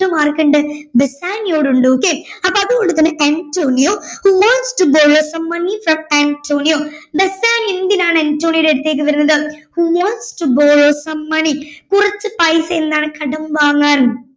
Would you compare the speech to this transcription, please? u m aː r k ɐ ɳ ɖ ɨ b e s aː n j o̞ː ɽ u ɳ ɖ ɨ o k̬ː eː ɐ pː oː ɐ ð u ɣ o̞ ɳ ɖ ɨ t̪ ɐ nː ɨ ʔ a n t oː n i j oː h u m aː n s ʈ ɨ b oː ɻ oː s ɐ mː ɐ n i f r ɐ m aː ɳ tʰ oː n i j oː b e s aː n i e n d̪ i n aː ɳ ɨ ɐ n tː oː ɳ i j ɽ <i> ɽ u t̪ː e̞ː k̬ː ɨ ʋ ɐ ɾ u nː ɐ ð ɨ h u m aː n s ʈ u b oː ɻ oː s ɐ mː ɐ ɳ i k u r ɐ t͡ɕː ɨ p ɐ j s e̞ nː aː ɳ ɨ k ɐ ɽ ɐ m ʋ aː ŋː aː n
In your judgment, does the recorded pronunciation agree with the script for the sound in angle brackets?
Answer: no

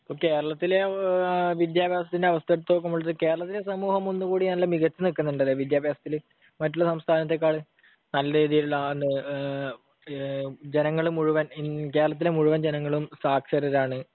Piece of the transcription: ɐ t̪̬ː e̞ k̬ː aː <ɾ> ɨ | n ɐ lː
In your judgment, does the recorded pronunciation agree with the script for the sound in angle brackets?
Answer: no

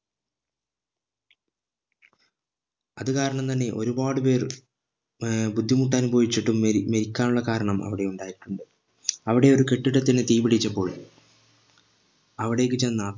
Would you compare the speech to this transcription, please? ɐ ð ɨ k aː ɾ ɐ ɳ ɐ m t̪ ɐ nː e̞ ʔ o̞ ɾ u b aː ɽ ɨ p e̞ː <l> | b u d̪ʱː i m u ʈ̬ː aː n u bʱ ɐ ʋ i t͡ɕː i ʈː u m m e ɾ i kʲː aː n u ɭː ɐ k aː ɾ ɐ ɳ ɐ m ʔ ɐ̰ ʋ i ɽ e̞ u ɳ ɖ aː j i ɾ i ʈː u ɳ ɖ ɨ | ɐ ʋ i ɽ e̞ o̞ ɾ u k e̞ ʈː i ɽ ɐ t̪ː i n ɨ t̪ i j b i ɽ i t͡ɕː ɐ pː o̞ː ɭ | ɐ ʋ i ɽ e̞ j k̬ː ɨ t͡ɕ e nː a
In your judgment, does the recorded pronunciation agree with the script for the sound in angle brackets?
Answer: no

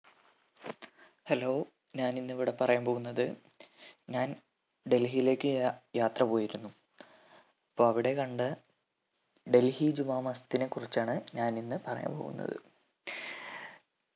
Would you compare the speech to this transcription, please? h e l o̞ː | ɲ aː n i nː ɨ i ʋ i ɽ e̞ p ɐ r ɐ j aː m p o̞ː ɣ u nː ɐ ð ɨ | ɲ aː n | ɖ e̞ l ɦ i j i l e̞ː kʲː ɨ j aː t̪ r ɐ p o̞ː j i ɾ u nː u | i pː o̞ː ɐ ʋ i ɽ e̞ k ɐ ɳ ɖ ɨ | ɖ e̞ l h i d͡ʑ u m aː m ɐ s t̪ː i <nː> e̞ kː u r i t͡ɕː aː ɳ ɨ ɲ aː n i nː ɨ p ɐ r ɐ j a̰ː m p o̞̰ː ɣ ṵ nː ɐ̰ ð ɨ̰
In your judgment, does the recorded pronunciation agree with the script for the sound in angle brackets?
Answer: no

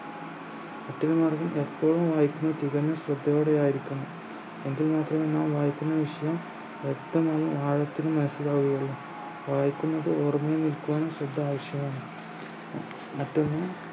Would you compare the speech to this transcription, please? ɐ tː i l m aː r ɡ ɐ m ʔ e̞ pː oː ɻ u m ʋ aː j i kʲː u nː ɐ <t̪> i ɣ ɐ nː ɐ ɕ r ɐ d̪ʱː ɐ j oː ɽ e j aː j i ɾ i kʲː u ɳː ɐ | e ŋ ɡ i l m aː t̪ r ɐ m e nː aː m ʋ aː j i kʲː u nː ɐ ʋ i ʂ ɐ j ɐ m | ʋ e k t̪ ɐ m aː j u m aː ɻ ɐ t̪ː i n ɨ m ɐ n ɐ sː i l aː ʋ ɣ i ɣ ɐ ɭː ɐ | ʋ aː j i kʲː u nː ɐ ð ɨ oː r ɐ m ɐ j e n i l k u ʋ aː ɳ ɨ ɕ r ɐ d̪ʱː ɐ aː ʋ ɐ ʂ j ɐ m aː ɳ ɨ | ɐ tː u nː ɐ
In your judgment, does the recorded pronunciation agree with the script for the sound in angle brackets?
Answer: yes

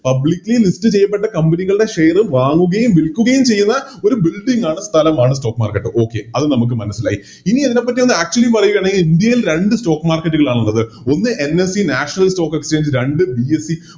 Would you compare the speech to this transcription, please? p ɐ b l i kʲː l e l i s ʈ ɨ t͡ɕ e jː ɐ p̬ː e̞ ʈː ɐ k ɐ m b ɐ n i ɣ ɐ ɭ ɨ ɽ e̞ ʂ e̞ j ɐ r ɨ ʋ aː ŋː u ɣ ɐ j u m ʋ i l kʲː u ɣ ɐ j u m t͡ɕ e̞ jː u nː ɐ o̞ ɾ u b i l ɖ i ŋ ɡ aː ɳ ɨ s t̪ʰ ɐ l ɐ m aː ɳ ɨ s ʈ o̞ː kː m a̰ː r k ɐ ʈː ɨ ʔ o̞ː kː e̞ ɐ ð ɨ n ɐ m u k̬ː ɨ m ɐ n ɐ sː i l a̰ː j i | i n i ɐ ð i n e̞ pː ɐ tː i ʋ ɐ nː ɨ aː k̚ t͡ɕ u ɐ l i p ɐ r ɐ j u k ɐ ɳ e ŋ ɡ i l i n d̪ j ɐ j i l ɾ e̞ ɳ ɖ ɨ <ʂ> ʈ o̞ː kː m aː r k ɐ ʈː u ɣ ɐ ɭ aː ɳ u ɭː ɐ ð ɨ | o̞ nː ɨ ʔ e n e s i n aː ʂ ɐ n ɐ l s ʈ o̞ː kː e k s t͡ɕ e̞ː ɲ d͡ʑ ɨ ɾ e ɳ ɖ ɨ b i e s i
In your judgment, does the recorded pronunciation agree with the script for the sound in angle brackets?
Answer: no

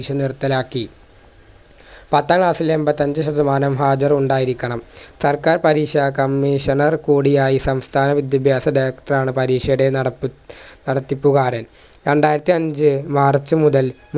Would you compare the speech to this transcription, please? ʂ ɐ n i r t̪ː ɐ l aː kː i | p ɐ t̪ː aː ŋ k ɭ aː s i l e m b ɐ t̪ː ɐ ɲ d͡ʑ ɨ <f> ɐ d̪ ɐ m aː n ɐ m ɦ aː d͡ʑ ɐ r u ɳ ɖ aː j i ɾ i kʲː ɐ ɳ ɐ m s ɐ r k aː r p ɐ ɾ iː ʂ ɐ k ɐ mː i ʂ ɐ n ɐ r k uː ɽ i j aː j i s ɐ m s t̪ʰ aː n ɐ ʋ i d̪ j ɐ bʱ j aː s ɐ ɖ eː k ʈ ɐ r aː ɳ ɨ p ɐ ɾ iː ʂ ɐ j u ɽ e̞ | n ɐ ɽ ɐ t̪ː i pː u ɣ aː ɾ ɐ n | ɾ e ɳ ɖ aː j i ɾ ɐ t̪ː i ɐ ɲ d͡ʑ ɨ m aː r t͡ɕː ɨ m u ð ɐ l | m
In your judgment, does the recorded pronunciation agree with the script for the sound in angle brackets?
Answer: no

